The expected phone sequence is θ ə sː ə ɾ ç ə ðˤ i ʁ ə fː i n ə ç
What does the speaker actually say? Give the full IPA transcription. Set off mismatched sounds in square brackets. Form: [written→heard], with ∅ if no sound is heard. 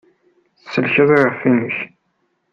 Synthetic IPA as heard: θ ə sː ə [ɾ→l] ç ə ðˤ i ʁ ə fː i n ə ç

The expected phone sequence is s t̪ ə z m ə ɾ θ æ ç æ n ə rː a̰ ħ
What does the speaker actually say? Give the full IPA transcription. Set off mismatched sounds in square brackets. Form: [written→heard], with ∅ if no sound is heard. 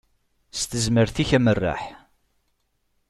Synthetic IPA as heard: s t̪ ə z m ə ɾ θ [æ→i] ç æ [n→m] ə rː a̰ ħ

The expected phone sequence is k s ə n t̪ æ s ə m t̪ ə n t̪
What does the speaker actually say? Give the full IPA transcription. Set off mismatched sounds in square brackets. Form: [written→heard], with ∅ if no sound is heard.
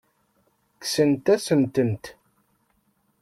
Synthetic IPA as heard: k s ə n t̪ æ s ə [m→n] t̪ ə n t̪

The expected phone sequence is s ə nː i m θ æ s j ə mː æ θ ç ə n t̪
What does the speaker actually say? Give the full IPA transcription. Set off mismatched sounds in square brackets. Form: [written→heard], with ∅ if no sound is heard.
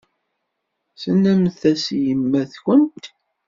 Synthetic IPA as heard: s ə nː [i→æ] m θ æ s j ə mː æ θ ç ə n t̪

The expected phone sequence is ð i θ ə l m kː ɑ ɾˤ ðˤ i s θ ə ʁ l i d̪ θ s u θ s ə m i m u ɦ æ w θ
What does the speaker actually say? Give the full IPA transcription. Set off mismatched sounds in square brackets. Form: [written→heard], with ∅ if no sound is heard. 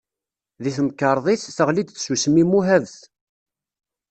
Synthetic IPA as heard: ð i θ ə [l→∅] m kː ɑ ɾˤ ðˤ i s θ ə ʁ l i d̪ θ s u [θ→∅] s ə m i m u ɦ æ [w→v] θ

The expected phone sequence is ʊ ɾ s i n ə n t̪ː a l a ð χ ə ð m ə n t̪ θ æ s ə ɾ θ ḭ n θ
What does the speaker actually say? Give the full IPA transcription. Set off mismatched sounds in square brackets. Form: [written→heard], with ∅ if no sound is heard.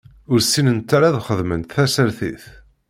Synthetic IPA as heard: ʊ ɾ s i n ə n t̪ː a [l→ɾ] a ð χ ə ð m ə n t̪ θ æ s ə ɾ θ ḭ [n→∅] θ

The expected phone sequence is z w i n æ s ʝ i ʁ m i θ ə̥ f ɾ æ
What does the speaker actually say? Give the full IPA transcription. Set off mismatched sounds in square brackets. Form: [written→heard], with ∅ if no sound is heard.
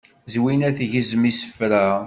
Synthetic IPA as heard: z w i n æ [s→θ] ʝ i [ʁ→z] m i [θ→s] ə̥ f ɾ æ

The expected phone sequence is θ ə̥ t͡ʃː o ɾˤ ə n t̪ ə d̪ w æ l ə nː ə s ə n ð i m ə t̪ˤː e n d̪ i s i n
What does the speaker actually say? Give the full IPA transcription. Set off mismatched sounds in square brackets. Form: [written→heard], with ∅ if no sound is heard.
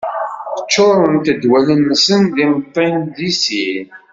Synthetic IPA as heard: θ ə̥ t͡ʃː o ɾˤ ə n t̪ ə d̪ w æ l ə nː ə s ə n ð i m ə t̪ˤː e n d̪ i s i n

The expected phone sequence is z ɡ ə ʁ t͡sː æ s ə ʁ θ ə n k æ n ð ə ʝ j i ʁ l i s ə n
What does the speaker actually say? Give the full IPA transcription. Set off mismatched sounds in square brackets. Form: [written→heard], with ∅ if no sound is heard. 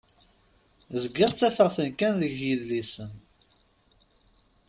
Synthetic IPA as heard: z ɡ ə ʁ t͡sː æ [s→f] ə ʁ θ ə n k æ n ð ə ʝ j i [ʁ→ð] l i s ə n

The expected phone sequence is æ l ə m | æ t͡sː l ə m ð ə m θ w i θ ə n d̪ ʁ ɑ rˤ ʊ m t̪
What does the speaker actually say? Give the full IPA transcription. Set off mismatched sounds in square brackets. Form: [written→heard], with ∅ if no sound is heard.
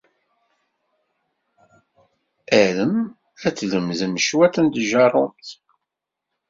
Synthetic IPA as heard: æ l ə m | æ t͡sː l ə m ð ə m [θ→ʃ] w [i→æ] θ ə n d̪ [ʁ→ʒ] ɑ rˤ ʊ m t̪

